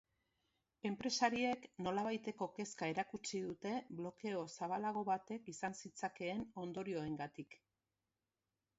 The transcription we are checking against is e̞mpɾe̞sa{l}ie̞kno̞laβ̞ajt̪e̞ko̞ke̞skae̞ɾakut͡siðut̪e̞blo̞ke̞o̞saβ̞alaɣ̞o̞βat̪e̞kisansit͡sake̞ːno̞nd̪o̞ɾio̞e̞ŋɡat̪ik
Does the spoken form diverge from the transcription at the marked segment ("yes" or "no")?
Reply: yes